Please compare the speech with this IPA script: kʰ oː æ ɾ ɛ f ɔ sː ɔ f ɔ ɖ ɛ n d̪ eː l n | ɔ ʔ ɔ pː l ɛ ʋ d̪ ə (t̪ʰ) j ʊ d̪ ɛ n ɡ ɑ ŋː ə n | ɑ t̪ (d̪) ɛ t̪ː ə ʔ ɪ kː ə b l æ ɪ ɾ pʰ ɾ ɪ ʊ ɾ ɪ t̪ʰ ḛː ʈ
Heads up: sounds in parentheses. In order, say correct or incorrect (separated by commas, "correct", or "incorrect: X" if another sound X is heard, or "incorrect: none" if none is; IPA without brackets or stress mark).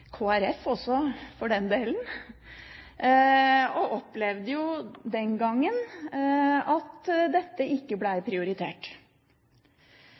incorrect: none, correct